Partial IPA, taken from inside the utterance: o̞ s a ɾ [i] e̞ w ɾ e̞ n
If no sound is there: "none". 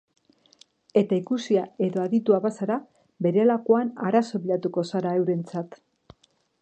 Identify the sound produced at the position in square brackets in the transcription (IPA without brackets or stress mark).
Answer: a